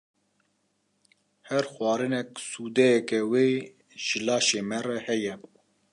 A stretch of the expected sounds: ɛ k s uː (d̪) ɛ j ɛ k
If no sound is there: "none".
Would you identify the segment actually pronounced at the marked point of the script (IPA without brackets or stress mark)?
d̪